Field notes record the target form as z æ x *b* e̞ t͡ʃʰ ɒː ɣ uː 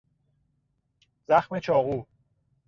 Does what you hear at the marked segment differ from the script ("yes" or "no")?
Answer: yes